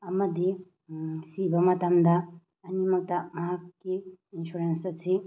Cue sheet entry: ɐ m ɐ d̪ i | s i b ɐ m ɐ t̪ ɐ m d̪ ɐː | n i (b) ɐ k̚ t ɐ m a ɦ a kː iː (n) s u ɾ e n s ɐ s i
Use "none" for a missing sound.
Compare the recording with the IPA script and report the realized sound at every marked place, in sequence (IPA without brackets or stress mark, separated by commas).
m, n